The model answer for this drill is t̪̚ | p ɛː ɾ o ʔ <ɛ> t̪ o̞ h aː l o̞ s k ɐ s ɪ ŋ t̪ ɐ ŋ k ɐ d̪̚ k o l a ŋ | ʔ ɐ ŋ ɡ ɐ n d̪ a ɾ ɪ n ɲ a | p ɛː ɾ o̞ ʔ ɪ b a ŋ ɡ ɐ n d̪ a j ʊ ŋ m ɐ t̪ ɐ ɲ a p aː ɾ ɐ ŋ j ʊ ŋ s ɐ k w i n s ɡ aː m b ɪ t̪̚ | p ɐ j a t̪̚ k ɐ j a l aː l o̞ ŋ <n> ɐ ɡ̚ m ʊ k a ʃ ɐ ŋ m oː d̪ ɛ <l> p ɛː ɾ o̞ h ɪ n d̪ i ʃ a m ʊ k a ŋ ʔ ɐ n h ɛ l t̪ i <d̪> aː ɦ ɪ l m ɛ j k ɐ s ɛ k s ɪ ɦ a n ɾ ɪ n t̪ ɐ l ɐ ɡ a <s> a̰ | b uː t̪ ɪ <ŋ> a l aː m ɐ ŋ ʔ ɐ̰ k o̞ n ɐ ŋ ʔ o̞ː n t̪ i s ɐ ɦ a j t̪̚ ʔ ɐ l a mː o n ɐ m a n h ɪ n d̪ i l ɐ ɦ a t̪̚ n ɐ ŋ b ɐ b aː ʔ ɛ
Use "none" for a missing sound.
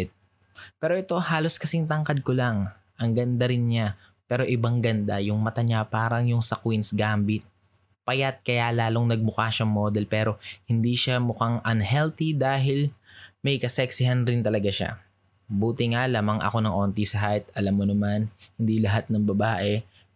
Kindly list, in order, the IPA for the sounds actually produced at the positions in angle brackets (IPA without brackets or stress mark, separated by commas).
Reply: ɛ, n, l, d̪, ʃ, ŋ